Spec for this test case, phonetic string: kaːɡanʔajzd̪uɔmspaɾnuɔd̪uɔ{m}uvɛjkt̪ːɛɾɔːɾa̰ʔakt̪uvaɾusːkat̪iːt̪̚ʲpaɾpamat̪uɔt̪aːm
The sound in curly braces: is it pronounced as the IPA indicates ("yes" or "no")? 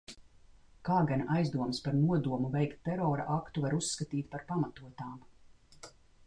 yes